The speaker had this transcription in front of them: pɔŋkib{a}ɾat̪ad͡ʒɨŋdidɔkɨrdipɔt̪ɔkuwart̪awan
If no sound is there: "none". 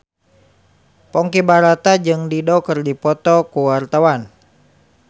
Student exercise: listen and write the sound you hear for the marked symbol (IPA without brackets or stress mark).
a